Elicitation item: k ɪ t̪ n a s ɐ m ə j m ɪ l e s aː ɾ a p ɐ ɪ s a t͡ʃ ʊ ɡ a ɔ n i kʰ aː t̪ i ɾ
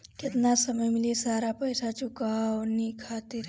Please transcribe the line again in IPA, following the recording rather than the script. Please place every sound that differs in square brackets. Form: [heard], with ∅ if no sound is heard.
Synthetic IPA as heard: k ɪ t̪ n a s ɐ m ə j m ɪ l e s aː ɾ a p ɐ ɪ s a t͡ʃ ʊ [k] a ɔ n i kʰ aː t̪ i ɾ